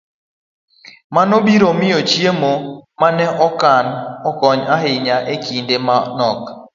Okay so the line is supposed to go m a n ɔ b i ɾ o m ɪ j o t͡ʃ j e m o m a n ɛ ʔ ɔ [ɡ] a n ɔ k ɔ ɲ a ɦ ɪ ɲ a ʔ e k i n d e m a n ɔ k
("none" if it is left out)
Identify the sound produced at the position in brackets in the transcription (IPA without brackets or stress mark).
k